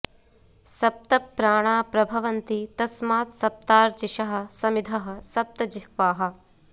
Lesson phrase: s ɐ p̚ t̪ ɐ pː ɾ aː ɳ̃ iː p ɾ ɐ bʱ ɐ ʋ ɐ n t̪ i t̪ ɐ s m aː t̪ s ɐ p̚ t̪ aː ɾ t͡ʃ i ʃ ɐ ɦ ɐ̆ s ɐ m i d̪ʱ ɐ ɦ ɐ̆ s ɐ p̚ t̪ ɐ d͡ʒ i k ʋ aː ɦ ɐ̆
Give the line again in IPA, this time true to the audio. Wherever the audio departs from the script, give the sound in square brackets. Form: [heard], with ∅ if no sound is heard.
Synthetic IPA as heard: s ɐ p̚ t̪ ɐ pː ɾ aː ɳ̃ [aː] p ɾ ɐ bʱ ɐ ʋ ɐ n t̪ i t̪ ɐ s m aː t̪ s ɐ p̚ t̪ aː ɾ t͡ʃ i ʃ ɐ ɦ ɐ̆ s ɐ m i d̪ʱ ɐ ɦ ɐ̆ s ɐ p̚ t̪ ɐ d͡ʒ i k ʋ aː ɦ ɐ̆